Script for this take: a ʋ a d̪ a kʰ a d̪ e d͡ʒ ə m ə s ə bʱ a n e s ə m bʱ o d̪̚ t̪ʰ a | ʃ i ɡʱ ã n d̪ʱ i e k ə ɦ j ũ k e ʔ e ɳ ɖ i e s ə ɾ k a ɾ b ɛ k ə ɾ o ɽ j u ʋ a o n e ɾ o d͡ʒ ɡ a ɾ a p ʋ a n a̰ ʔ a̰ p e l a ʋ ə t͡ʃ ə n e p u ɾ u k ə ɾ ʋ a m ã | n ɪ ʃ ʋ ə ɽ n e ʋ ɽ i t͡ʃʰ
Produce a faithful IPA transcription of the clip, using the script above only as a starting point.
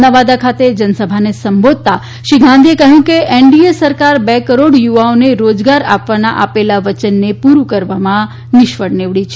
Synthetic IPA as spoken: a ʋ a d̪ a kʰ a t̪ e d͡ʒ ə n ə s ə bʱ a n e s ə m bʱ o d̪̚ t̪ a | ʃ i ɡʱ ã n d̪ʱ i e k ə ɦ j ũ k e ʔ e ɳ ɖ i e s ə ɾ k a ɾ b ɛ k ə ɾ o ɽ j u ʋ a o n e ɾ o d͡ʒ ɡ a ɾ a p ʋ a n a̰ ʔ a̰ p e l a ʋ ə t͡ʃ ə nː e p u ɾ u k ə ɾ ʋ a m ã | n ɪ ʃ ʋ ə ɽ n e ʋ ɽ i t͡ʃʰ